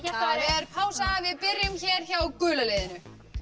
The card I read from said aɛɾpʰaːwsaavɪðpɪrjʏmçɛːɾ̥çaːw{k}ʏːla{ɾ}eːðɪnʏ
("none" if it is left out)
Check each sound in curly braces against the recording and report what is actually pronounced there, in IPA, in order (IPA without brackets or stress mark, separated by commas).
k, l